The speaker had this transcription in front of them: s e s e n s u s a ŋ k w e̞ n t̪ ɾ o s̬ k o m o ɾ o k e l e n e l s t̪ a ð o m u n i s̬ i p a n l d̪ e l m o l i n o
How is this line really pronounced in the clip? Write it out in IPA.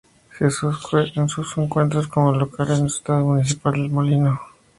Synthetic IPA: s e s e n s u s e ŋ k w e̞ n t̪ ɾ o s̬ k o m o l o k a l e n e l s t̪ a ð o m u n i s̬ i p a l d̪ e l m o l i n o